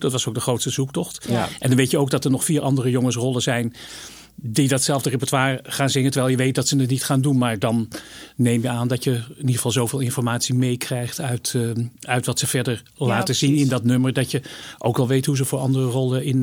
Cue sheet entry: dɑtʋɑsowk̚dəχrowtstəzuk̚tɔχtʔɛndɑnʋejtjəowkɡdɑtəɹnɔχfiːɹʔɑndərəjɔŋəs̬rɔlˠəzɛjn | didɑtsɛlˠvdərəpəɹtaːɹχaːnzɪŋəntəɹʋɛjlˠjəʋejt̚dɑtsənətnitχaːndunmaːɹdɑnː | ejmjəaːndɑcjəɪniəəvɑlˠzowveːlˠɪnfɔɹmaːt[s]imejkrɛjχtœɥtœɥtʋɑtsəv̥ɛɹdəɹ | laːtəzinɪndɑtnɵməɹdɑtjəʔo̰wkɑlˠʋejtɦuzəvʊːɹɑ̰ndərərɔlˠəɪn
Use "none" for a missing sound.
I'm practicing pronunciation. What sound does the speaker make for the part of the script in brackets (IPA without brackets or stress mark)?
s